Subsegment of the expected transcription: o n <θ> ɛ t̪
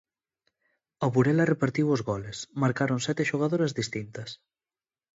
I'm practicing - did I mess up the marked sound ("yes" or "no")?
yes